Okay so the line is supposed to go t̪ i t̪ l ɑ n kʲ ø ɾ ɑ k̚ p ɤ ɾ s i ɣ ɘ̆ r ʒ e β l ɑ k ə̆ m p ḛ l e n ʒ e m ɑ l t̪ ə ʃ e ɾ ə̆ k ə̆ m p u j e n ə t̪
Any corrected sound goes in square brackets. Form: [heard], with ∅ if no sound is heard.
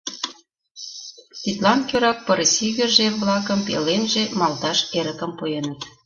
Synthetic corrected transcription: t̪ i t̪ l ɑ n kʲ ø ɾ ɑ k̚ p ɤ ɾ s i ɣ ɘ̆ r ʒ e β l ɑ k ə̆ m p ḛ l e n ʒ e m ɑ l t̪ [ɑ] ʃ e ɾ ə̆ k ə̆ m p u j e n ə t̪